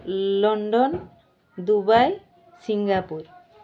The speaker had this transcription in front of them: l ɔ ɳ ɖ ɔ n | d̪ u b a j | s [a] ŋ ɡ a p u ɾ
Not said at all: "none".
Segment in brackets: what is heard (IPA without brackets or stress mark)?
i